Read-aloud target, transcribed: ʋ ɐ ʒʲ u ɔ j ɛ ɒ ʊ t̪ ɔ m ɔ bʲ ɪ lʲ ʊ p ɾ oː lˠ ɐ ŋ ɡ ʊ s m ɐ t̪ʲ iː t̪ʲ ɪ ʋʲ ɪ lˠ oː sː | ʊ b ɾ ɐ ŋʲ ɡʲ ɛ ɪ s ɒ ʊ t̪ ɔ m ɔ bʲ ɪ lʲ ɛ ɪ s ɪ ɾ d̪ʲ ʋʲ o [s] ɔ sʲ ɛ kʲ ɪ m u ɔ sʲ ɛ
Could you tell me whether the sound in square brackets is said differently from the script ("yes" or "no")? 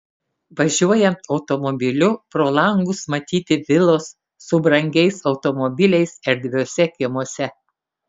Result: yes